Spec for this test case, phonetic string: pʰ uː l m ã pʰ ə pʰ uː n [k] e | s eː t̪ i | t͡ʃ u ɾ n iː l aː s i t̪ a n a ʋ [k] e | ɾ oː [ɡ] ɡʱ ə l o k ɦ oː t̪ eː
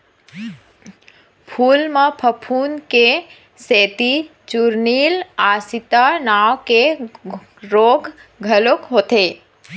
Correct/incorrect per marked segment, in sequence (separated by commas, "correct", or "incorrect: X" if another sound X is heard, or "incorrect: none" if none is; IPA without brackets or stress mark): correct, correct, correct